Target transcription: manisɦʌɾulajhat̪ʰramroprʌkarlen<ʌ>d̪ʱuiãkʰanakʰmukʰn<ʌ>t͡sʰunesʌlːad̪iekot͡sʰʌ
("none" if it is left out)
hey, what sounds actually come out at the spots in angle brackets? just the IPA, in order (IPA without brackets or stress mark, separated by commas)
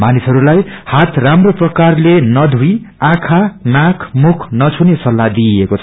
ʌ, ʌ